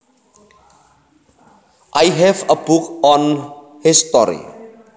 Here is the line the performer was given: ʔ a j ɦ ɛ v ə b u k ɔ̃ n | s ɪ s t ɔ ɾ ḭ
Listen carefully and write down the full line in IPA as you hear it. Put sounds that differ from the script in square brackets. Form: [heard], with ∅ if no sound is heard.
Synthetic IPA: ʔ a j ɦ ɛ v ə b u k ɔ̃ n | [h] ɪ s t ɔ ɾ ḭ